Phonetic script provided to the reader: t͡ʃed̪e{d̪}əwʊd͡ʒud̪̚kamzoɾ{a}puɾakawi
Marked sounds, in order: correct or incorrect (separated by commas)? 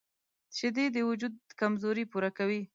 correct, incorrect